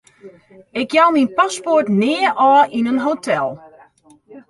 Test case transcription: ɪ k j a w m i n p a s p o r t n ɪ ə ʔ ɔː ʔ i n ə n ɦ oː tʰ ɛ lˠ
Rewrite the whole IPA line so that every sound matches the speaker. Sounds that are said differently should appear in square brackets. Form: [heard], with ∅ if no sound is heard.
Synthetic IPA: ɪ k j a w m i n p a s p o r t n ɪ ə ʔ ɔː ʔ i n ə n ɦ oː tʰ ɛ lˠ